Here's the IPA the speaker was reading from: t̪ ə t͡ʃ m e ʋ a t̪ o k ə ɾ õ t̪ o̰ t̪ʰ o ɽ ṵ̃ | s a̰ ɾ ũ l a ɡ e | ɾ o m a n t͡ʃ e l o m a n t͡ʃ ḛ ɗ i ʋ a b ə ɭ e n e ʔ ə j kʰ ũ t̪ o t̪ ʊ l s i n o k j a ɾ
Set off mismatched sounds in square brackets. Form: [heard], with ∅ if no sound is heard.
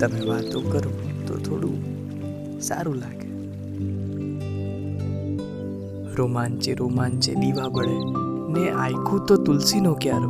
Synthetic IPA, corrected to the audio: t̪ ə [∅] m e ʋ a t̪ o k ə ɾ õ t̪ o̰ t̪ʰ o ɽ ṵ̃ | s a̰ ɾ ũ l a ɡ e | ɾ o m a n t͡ʃ e [ɾ] o m a n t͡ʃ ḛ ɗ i ʋ a b ə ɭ e n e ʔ [a] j kʰ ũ t̪ o t̪ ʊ l s i n o k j a ɾ